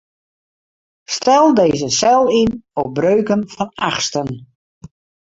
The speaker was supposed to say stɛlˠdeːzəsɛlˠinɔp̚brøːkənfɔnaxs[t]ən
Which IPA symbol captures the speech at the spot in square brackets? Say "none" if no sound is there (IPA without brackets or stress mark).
t